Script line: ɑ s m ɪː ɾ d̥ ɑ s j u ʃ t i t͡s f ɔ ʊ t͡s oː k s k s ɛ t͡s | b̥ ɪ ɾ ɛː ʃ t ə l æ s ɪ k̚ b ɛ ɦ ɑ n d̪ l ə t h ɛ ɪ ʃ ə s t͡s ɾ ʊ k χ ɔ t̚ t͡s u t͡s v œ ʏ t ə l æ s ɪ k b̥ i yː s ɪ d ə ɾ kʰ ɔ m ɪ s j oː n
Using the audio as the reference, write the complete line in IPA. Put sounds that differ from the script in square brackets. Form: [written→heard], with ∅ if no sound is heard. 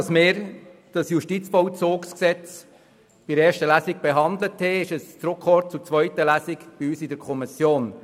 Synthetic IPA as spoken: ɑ s m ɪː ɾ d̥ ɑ s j u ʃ t i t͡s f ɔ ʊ t͡s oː k s k s ɛ t͡s | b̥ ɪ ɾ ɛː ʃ t ə l æ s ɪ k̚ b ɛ ɦ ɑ n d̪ l ə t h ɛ ɪ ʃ ə s t͡s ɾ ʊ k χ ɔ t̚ t͡s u t͡s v œ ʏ t ə l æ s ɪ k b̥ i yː s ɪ d ə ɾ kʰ ɔ m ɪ s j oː n